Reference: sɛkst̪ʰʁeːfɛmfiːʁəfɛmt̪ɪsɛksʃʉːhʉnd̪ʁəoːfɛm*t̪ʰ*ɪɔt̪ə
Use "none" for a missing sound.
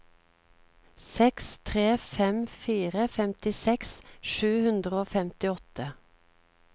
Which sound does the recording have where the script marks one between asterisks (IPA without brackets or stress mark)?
t̪